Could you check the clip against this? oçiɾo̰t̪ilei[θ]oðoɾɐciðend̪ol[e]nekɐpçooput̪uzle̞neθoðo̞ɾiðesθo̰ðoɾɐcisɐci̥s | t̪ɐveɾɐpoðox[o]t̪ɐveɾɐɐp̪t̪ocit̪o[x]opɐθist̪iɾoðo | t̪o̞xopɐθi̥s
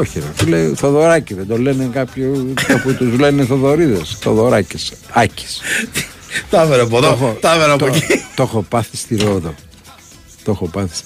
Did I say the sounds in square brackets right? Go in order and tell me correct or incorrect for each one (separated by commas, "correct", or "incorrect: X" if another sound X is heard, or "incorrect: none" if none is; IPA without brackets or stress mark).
correct, correct, correct, correct